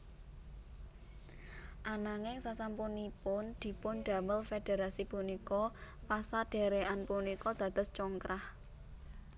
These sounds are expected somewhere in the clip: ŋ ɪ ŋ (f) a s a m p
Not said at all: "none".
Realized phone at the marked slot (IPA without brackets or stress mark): s